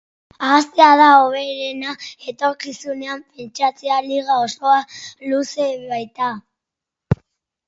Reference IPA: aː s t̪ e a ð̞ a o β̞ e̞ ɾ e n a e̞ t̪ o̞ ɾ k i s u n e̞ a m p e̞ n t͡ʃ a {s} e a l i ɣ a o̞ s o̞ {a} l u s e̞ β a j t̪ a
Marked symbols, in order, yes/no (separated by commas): no, yes